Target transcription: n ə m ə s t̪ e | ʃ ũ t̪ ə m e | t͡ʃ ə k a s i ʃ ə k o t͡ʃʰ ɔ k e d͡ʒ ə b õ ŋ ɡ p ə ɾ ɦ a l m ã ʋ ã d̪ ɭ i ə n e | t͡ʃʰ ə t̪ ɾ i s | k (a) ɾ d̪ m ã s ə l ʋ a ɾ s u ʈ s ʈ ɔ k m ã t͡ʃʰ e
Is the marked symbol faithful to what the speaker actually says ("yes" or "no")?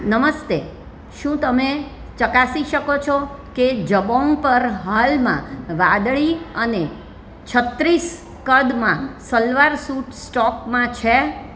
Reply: no